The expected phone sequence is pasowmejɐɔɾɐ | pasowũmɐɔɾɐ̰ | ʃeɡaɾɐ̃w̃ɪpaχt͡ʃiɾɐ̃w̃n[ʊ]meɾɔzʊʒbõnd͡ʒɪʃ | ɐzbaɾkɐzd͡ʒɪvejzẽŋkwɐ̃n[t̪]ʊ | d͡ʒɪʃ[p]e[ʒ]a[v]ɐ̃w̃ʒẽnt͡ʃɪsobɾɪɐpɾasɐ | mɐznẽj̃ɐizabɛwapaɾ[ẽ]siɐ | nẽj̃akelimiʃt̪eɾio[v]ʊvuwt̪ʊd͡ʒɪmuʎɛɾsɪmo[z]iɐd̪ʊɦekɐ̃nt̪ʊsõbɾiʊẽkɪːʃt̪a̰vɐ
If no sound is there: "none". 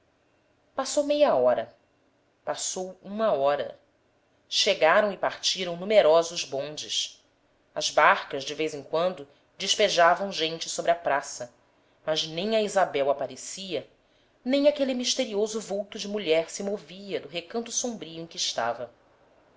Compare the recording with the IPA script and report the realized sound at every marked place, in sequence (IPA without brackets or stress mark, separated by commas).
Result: u, d̪, p, ʒ, v, e, z, v